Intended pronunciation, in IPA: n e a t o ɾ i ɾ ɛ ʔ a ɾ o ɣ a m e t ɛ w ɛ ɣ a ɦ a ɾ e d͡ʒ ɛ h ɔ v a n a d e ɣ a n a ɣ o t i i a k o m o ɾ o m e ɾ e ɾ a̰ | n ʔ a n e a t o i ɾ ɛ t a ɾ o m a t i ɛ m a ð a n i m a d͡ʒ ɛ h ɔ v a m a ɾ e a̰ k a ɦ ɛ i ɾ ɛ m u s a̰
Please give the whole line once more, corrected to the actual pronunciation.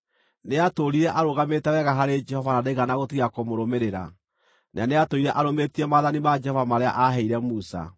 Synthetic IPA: n e a t o ɾ i ɾ ɛ ʔ a ɾ o ɣ a m e t ɛ w ɛ ɣ a ɦ a ɾ e d͡ʒ ɛ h ɔ v a n a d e ɣ a n a ɣ o t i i a k o m o ɾ o m e ɾ e ɾ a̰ | n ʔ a n e a t o i ɾ ɛ ʔ a ɾ o m e t i ɛ m a ð a n i m a d͡ʒ ɛ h ɔ v a m a ɾ e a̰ ʔ a ɦ ɛ i ɾ ɛ m u s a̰